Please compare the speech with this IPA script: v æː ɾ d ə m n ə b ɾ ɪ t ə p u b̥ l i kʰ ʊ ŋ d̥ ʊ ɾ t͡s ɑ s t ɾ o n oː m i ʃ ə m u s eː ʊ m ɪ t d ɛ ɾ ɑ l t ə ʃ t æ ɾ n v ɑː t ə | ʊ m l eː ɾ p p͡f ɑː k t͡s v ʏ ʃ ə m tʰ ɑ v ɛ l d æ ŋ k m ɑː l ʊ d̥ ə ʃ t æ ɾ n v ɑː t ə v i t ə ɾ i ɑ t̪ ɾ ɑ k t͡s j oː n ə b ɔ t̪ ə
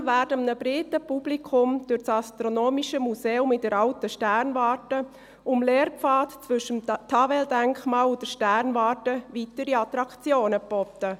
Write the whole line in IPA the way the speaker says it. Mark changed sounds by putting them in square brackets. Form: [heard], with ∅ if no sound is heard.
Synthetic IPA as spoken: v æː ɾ d ə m n ə b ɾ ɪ t ə p u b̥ l i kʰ ʊ [m] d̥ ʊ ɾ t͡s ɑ s t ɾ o n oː m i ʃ ə m u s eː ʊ m ɪ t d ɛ ɾ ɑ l t ə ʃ t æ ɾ n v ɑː t ə | ʊ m l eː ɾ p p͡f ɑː [t] t͡s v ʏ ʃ ə m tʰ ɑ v ɛ l d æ ŋ k m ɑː l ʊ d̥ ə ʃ t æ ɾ n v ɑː t ə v i t ə ɾ i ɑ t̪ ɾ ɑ k t͡s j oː n ə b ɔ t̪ ə